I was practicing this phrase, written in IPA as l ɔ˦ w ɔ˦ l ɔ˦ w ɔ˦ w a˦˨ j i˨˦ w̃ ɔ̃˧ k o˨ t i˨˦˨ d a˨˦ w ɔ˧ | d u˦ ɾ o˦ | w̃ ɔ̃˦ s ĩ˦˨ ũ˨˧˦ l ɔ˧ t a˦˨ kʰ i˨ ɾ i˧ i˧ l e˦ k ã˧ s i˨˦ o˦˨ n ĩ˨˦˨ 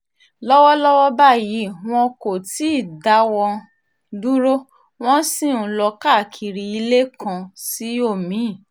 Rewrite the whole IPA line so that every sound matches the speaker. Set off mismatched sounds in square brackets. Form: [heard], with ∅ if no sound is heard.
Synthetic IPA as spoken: l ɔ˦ w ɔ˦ l ɔ˦ w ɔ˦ [b] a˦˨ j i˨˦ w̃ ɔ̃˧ k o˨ t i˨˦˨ d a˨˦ w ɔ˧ | d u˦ ɾ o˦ | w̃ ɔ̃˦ s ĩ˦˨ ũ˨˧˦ l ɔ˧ [k] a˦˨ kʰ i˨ ɾ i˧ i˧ l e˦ k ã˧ s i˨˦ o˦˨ [m] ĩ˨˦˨